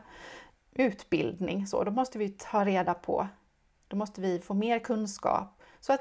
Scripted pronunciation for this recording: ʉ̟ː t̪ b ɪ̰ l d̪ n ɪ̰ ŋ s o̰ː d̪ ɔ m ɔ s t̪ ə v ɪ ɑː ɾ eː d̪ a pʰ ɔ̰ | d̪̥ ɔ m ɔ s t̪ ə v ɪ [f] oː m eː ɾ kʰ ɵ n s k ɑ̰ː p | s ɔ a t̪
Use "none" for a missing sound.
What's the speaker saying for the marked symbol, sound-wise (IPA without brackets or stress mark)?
f